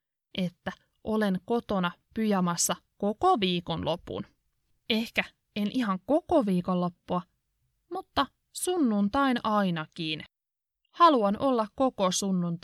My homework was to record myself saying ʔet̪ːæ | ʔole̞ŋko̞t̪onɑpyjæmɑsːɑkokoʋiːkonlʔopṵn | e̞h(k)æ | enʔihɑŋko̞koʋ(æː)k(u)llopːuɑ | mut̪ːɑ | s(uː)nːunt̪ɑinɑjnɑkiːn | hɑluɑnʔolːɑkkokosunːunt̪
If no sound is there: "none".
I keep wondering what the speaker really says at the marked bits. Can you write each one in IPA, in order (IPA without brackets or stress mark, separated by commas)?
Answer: k, iː, o, u